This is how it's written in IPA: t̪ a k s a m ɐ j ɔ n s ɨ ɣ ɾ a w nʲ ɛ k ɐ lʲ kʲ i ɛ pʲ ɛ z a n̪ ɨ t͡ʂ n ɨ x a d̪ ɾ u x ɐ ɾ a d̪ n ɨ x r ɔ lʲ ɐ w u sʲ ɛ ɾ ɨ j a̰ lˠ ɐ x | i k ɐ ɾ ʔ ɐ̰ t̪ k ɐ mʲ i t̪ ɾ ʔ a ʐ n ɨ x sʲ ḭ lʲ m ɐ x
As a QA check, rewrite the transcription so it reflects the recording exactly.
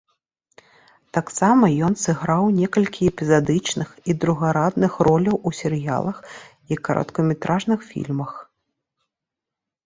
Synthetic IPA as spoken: t̪ a k s a m ɐ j ɔ n s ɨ ɣ ɾ a w nʲ ɛ k ɐ lʲ kʲ i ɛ pʲ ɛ z a d̪ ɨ t͡ʂ n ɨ x i d̪ ɾ u ɣ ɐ ɾ a d̪ n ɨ x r ɔ lʲ ɐ w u sʲ ɛ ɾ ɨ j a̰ lˠ ɐ x | i k ɐ ɾ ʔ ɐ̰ t̪ k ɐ mʲ ɛ t̪ ɾ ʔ a ʐ n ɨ x fʲ ḭ lʲ m ɐ x

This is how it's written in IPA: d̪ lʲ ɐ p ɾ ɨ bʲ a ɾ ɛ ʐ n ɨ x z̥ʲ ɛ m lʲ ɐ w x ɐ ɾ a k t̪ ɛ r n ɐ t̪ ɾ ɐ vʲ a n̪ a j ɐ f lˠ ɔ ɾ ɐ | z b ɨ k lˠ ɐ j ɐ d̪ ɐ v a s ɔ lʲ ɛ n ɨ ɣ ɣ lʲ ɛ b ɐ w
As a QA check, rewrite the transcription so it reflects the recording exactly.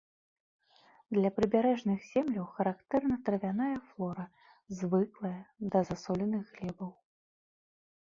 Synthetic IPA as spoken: d̪ lʲ ɐ p ɾ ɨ bʲ a ɾ ɛ ʐ n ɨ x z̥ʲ ɛ m lʲ ɐ w x ɐ ɾ a k t̪ ɛ r n ɐ t̪ ɾ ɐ vʲ a n̪ a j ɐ f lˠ ɔ ɾ ɐ | z v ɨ k lˠ ɐ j ɐ d̪ ɐ z a s ɔ lʲ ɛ n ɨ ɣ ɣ lʲ ɛ b ɐ w

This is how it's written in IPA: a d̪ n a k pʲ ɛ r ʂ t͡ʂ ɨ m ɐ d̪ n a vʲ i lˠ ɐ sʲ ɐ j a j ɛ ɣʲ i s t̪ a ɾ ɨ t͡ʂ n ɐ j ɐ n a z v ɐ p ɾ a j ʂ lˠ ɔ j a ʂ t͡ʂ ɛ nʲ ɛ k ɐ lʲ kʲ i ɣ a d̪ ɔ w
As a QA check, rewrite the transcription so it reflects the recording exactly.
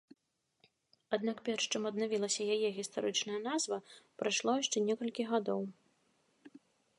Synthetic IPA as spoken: a d̪ n a k pʲ ɛ r ʂ t͡ʂ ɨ m ɐ d̪ n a vʲ i lˠ ɐ sʲ ɐ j a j ɛ ɣʲ i s t̪ a ɾ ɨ t͡ʂ n ɐ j ɐ n a z v ɐ p ɾ a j ʂ lˠ ɔ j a ʂ t͡ʂ ɛ nʲ ɛ k ɐ lʲ kʲ i ɣ a d̪ ɔ w

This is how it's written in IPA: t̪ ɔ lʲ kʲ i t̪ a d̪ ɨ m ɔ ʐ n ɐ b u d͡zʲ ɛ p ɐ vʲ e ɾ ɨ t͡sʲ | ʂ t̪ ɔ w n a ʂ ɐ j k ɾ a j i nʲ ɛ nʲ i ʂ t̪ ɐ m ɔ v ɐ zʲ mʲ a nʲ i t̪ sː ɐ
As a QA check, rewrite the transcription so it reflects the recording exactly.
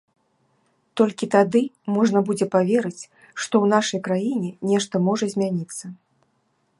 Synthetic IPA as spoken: t̪ ɔ lʲ kʲ i t̪ a d̪ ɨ m ɔ ʐ n ɐ b u d͡zʲ ɛ p a vʲ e ɾ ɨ t͡sʲ | ʂ t̪ ɔ w n a ʂ ɐ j k ɾ a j i nʲ ɛ nʲ ɛ ʂ t̪ ɐ m ɔ ʐ ɐ zʲ mʲ a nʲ i t̪ sː ɐ

